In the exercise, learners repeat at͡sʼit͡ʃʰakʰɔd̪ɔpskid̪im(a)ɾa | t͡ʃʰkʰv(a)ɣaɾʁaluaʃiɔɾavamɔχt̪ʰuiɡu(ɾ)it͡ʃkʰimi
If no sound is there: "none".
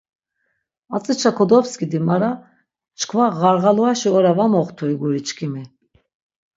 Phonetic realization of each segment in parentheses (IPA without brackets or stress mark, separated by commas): a, a, ɾ